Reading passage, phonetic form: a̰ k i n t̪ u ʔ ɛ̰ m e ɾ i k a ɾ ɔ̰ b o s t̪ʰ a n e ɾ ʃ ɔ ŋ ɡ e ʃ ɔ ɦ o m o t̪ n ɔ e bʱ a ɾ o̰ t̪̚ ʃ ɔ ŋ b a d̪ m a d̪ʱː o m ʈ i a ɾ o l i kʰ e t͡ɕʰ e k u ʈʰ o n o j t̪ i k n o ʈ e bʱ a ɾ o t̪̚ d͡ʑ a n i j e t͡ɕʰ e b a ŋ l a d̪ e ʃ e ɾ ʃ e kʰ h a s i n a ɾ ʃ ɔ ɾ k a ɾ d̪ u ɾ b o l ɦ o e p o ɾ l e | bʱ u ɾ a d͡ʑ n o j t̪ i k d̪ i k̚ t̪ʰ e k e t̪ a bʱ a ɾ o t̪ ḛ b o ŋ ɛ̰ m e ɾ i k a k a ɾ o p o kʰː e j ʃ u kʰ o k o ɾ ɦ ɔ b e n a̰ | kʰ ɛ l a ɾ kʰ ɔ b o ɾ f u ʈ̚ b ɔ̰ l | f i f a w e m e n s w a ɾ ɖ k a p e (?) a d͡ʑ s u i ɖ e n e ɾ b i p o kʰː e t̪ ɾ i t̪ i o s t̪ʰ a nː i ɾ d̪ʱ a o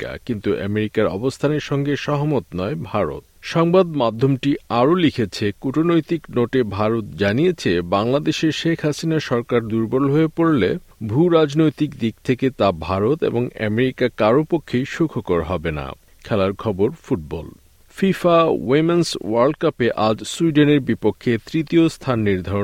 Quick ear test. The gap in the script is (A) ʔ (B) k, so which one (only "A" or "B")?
A